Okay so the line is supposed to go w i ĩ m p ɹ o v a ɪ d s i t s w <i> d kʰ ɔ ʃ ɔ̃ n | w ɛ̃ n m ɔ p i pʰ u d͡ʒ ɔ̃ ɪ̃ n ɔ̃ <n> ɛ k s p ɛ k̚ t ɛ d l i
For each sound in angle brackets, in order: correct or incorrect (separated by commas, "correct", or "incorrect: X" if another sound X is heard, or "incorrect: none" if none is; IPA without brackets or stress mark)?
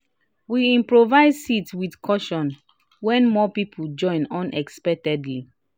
correct, correct